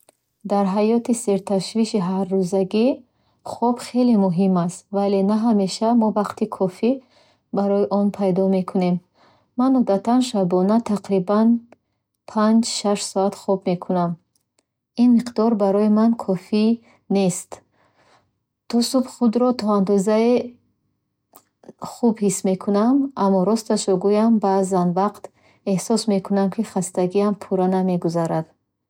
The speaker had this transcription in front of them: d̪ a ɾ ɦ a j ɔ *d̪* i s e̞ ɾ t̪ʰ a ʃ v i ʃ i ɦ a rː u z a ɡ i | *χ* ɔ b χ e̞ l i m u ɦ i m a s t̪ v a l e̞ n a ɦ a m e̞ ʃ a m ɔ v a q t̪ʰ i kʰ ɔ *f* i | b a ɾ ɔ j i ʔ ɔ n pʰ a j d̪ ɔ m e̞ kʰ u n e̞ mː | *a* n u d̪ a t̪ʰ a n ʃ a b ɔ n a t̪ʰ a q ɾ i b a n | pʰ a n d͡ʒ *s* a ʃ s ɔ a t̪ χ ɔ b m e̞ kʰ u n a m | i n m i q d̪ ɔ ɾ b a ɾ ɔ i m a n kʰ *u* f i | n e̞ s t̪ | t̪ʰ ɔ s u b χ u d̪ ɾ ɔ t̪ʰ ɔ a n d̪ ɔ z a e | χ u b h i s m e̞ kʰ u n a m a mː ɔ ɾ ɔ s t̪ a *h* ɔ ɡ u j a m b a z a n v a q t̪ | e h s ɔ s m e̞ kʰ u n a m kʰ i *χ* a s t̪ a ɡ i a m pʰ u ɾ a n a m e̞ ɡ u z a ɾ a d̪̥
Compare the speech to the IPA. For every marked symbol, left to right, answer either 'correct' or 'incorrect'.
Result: incorrect, correct, correct, correct, incorrect, incorrect, incorrect, correct

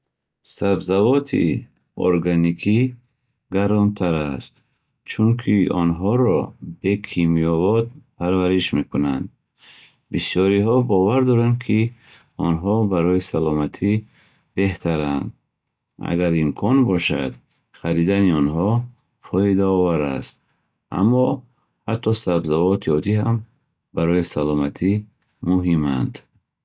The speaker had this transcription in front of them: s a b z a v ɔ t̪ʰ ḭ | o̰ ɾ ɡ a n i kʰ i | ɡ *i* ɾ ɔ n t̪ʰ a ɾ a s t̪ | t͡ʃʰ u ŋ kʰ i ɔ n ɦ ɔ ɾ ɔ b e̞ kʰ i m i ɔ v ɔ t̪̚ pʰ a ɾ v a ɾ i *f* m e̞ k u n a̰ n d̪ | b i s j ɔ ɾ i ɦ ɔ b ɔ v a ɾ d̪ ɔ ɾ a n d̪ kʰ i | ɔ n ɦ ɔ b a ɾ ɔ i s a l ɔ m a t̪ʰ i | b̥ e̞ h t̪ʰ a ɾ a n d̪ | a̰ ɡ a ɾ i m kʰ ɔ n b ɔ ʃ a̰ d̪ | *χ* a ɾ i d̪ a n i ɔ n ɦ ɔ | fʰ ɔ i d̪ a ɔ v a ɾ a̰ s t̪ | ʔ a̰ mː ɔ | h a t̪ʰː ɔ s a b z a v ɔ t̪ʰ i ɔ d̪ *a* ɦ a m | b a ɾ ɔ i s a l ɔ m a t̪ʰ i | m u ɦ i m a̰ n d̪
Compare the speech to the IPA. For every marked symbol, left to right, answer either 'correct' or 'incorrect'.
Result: incorrect, incorrect, correct, incorrect

